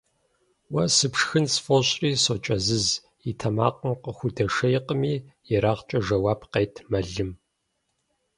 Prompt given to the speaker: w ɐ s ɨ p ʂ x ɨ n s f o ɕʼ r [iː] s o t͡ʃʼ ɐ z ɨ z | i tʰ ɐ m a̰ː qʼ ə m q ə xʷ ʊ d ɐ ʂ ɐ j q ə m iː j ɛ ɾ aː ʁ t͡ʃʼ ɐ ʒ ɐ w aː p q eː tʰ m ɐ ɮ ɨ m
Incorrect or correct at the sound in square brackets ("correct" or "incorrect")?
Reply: correct